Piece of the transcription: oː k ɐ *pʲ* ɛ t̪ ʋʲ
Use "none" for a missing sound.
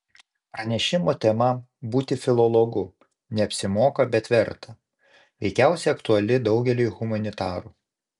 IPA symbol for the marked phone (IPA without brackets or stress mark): bʲ